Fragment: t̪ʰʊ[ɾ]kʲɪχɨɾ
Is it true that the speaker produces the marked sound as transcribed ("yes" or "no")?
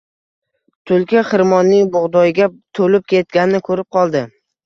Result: no